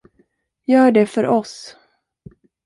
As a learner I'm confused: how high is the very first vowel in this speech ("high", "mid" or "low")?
mid